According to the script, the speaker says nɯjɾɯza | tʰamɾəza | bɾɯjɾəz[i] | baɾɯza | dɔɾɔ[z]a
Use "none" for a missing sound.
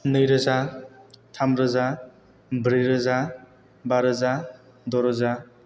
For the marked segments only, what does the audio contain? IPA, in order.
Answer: a, z

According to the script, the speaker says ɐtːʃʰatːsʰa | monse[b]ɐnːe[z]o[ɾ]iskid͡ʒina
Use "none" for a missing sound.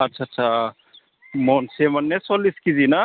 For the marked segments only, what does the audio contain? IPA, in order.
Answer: m, s, l

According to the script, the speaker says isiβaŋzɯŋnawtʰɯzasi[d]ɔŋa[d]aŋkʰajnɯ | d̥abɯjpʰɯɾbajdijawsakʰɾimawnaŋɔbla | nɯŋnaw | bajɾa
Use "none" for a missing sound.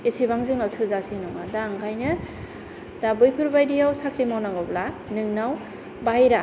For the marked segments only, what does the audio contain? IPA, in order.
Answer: n, d

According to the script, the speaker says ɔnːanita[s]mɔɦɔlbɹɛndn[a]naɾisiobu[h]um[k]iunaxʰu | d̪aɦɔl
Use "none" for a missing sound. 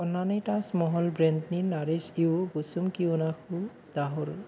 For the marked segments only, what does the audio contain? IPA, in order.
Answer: s, i, s, k

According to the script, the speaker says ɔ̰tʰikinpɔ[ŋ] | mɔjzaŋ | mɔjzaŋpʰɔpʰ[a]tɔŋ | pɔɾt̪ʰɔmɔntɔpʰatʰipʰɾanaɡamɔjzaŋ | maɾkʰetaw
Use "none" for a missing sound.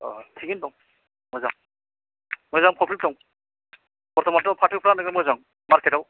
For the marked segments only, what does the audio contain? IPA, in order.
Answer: ŋ, i

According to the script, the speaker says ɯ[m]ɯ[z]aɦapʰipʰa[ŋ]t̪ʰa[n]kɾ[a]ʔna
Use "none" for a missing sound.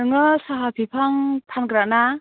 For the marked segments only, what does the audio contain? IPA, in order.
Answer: ŋ, s, ŋ, n, a

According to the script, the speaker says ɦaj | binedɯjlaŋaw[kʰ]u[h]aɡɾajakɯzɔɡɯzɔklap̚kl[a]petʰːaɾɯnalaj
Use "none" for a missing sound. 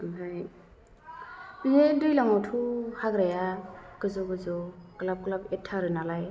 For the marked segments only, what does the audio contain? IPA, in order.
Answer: tʰ, h, a

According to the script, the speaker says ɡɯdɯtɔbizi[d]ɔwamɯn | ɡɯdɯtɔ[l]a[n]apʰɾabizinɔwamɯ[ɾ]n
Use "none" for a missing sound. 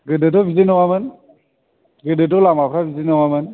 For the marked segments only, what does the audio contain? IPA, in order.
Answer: n, l, m, none

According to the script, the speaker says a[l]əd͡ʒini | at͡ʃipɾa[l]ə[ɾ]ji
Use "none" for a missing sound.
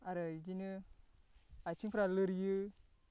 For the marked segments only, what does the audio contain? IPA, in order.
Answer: ɾ, l, ɾ

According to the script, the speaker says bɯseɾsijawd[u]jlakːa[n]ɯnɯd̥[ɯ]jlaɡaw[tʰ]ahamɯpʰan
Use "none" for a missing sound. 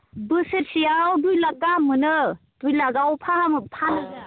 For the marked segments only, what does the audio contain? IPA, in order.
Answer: u, m, u, pʰ

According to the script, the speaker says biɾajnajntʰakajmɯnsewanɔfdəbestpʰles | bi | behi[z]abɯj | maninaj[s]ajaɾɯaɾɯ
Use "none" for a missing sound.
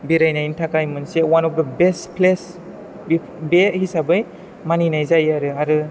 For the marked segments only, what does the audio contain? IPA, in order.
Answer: s, z

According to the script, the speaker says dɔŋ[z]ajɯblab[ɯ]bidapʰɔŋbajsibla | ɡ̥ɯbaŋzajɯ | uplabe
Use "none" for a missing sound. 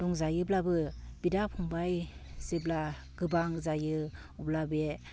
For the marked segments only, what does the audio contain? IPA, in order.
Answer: z, ɯ

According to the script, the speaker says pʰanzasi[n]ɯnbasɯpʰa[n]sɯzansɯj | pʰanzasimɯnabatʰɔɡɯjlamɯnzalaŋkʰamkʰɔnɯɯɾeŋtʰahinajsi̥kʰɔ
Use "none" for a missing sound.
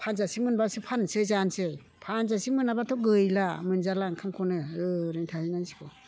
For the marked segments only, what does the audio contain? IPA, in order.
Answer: m, n

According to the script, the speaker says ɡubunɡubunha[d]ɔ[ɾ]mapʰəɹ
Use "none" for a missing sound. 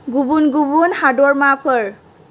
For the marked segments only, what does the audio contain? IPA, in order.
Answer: d, ɹ

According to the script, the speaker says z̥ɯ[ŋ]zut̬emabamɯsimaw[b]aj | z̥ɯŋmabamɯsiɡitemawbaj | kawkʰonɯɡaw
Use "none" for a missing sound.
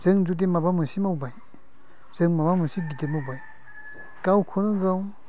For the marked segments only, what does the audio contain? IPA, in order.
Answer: ŋ, b

